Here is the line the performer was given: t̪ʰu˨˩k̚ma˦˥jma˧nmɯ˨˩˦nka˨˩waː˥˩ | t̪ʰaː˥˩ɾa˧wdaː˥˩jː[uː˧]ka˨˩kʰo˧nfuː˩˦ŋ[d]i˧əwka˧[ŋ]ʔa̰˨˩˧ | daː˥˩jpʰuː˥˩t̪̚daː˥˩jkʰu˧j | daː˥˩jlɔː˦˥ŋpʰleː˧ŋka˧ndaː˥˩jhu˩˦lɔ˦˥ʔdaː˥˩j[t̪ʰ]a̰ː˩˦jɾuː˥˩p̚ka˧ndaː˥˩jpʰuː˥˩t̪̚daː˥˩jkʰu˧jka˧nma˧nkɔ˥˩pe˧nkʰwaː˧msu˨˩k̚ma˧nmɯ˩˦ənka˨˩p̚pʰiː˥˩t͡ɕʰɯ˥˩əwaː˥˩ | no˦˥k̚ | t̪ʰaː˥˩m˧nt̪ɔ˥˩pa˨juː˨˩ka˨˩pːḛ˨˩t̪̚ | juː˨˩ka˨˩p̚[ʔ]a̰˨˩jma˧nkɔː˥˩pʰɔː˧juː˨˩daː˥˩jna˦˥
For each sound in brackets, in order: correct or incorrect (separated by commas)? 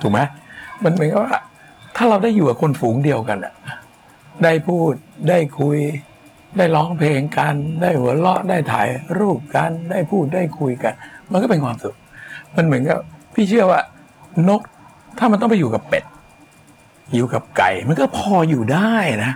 incorrect, correct, incorrect, correct, incorrect